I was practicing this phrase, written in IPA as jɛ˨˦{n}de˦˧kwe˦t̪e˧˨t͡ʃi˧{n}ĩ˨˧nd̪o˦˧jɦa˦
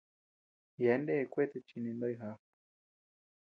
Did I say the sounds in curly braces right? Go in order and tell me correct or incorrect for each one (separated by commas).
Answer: correct, correct